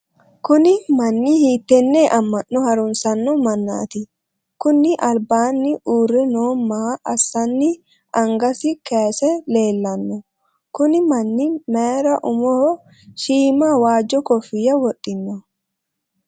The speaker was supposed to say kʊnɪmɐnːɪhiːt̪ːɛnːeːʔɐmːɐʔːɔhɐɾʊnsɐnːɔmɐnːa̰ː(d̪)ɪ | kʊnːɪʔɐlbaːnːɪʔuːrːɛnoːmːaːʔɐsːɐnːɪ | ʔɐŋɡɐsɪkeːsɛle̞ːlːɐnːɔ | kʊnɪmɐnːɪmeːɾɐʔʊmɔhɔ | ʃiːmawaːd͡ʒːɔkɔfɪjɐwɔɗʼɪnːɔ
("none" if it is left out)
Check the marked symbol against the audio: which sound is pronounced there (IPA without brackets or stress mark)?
t̪